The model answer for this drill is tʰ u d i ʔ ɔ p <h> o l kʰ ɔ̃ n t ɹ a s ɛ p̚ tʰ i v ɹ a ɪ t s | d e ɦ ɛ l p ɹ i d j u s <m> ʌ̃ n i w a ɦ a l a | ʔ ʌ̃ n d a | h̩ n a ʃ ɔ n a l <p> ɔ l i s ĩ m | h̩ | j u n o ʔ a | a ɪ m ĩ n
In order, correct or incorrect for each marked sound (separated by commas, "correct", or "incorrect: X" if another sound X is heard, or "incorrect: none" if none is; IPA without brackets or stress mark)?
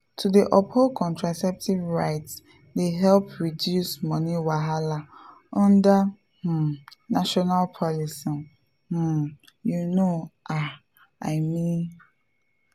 correct, correct, incorrect: pʰ